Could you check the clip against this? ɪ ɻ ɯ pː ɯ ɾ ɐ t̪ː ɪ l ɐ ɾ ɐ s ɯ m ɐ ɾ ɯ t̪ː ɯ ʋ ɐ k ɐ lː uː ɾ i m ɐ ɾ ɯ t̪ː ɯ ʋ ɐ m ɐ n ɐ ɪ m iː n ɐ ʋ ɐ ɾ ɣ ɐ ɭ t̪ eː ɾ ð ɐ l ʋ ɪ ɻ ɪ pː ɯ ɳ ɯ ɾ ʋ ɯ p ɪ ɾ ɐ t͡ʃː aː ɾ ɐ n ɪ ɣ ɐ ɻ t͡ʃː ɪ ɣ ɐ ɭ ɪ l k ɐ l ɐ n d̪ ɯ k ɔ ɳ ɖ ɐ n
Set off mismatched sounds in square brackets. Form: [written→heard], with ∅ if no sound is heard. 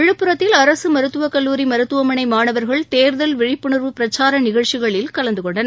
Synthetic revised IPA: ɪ ɻ ɯ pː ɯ ɾ ɐ t̪ː ɪ l ɐ ɾ ɐ s ɯ m ɐ ɾ ɯ t̪ː ɯ ʋ ɐ k ɐ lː uː ɾ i m ɐ ɾ ɯ t̪ː ɯ ʋ ɐ m ɐ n ɐ ɪ m [iː→aː] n ɐ ʋ ɐ ɾ ɣ ɐ ɭ t̪ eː ɾ ð ɐ l ʋ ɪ ɻ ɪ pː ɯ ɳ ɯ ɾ ʋ ɯ p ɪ ɾ ɐ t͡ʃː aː ɾ ɐ n ɪ ɣ ɐ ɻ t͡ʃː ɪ ɣ ɐ ɭ ɪ l k ɐ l ɐ n d̪ ɯ k ɔ ɳ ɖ ɐ n